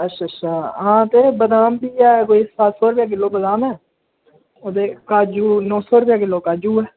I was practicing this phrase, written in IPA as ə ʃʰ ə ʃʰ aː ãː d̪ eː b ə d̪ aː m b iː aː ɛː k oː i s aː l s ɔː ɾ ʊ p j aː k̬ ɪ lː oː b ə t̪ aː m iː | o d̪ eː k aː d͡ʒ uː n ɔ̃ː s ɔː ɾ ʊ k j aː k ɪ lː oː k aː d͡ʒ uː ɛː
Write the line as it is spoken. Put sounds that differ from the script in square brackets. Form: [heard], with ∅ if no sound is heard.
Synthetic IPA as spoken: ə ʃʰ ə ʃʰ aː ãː [t̪] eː b ə d̪ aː m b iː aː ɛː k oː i s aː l s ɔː ɾ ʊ p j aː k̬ ɪ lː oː b ə [d̪] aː m [ɛː] | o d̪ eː k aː d͡ʒ uː n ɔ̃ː s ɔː ɾ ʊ [p] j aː k ɪ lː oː k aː d͡ʒ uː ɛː